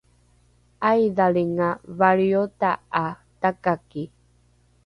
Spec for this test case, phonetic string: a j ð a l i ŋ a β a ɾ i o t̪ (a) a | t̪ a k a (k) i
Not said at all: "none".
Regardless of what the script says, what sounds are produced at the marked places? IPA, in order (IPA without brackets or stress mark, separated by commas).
a, k